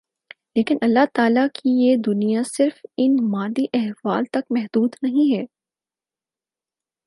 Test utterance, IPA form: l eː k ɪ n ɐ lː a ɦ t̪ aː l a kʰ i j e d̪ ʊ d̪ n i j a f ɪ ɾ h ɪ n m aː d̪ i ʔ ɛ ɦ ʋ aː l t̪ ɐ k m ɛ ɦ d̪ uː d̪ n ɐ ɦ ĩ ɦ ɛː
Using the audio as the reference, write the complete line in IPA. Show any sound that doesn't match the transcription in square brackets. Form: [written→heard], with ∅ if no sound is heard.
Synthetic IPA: l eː k ɪ n ɐ lː a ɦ t̪ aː l a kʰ i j e d̪ ʊ [d̪→∅] n i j a [f→s] ɪ ɾ [h→f] ɪ n m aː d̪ i ʔ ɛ ɦ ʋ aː l t̪ ɐ k m ɛ ɦ d̪ uː d̪ n ɐ ɦ ĩ ɦ ɛː